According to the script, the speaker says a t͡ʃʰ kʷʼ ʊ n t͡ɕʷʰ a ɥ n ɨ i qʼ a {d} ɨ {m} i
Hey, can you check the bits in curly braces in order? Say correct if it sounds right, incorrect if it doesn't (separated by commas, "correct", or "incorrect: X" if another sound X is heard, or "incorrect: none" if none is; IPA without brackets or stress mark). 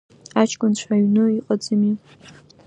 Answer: incorrect: d͡z, correct